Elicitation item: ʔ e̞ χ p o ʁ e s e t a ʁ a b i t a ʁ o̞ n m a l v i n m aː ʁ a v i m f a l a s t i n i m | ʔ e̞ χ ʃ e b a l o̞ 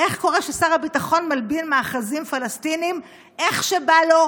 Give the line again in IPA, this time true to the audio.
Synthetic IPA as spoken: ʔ e̞ χ k o ʁ e ʃ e s a ʁ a b i t a χ o̞ n m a l b i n m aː χ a z i m f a l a s t i n i m | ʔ e̞ χ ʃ e b a l o̞